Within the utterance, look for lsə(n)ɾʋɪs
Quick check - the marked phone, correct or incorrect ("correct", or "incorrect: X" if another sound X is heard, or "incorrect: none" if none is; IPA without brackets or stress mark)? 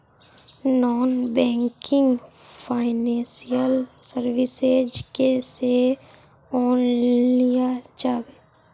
incorrect: none